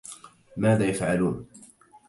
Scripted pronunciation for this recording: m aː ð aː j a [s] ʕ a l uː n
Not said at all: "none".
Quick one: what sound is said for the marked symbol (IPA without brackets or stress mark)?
f